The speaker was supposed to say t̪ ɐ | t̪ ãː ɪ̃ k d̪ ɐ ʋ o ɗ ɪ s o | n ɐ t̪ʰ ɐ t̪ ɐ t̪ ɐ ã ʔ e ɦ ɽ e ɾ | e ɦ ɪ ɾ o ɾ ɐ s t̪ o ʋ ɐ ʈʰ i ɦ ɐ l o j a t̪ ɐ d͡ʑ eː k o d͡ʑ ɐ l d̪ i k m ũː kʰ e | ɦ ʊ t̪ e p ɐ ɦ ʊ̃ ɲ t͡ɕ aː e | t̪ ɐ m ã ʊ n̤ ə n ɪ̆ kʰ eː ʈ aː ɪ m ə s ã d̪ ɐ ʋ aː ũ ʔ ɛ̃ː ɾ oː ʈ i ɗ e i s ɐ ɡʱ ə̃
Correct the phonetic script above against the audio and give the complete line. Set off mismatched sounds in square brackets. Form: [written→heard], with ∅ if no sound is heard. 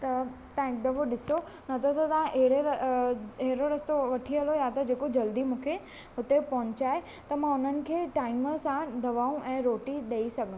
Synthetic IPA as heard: t̪ ɐ | t̪ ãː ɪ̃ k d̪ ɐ ʋ o ɗ ɪ s o | n ɐ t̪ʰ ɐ t̪ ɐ t̪ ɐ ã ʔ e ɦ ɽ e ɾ | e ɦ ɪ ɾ o ɾ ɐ s t̪ o ʋ ɐ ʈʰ i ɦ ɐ l o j a t̪ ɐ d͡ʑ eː k o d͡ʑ ɐ l d̪ i [k→∅] m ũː kʰ e | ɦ ʊ t̪ e p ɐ ɦ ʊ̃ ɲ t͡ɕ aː e | t̪ ɐ m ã ʊ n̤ ə n ɪ̆ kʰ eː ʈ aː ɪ m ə s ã d̪ ɐ ʋ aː ũ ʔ ɛ̃ː ɾ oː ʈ i ɗ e i s ɐ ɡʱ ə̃